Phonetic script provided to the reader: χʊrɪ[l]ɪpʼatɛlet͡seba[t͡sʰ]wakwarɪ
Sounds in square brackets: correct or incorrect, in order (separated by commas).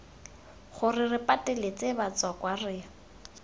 incorrect, incorrect